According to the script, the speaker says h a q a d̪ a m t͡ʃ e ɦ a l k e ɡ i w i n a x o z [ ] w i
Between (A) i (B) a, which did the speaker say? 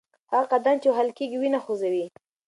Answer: B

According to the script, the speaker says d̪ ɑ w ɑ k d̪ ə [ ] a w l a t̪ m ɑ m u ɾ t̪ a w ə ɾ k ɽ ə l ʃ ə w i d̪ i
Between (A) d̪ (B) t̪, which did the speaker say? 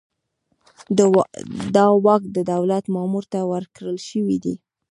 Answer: A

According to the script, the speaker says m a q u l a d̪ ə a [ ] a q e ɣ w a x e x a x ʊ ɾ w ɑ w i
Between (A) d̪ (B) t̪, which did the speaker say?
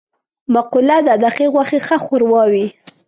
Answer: A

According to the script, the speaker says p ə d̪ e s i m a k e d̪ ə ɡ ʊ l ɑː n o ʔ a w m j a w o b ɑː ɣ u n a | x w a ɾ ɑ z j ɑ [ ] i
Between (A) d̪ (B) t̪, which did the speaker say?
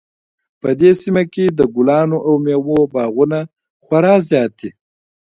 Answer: B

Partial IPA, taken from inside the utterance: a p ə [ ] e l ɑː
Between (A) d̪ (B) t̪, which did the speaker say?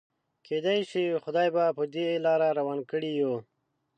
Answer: A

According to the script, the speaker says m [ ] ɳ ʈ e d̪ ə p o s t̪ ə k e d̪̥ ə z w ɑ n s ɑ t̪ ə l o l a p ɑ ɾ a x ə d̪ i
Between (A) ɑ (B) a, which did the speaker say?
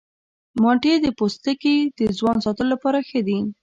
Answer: A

